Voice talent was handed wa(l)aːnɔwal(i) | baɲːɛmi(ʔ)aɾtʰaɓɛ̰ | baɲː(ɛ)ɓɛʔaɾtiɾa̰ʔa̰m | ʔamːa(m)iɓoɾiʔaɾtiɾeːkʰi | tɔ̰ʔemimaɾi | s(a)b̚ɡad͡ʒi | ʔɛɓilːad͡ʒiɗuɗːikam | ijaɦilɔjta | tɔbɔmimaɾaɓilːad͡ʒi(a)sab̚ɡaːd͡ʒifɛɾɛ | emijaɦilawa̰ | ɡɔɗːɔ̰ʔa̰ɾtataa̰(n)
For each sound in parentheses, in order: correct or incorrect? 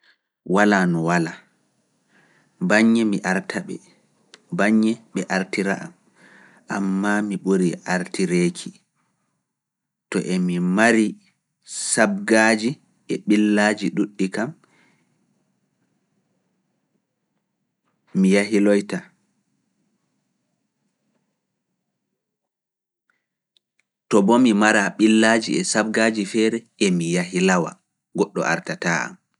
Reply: correct, incorrect, correct, correct, correct, correct, incorrect, incorrect

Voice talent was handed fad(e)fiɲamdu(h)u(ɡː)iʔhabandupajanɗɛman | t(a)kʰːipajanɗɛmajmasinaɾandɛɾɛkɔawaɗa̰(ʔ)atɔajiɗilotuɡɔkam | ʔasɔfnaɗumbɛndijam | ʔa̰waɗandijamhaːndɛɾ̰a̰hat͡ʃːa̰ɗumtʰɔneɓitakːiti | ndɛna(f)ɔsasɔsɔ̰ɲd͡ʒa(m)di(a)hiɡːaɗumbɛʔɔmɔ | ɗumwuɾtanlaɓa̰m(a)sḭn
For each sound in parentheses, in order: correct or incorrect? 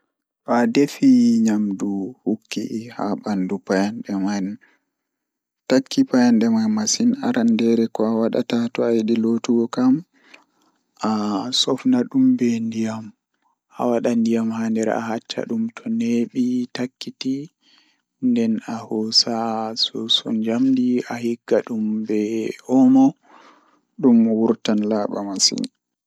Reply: correct, correct, incorrect, correct, incorrect, incorrect, correct, correct, correct

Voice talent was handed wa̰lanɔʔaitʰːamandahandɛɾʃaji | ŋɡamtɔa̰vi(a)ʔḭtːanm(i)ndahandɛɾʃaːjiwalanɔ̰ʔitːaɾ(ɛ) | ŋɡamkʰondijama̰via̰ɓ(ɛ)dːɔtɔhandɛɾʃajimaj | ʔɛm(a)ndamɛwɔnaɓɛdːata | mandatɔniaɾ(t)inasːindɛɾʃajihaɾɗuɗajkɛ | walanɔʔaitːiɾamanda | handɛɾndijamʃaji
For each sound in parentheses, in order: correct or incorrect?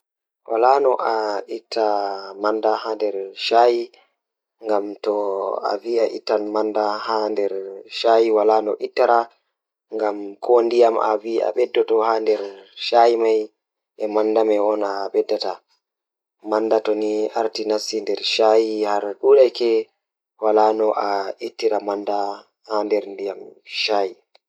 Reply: correct, incorrect, incorrect, correct, correct, correct

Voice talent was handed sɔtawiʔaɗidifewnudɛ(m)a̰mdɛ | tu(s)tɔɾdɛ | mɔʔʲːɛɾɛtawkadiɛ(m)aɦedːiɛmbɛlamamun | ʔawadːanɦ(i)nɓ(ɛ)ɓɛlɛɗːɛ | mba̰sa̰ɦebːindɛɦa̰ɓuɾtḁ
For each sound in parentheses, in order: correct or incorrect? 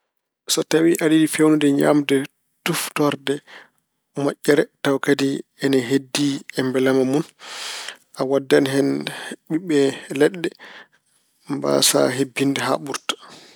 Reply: incorrect, incorrect, incorrect, incorrect, incorrect

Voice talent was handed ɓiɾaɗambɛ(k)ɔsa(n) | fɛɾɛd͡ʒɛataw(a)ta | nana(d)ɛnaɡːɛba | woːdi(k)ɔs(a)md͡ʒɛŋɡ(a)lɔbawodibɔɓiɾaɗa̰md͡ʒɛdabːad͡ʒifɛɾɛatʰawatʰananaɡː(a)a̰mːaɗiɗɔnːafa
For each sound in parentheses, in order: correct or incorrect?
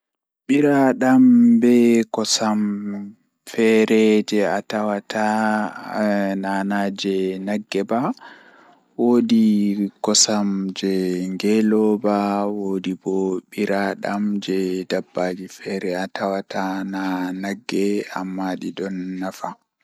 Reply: correct, incorrect, correct, incorrect, correct, correct, incorrect, incorrect

